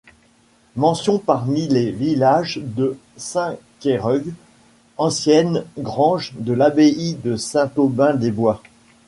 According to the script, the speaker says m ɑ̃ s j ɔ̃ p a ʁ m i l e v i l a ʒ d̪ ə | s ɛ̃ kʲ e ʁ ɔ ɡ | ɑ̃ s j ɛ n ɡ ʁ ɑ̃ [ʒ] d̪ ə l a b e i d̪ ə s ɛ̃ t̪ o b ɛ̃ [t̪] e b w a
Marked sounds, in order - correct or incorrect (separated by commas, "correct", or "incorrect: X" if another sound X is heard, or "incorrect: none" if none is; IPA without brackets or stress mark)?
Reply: correct, incorrect: d̪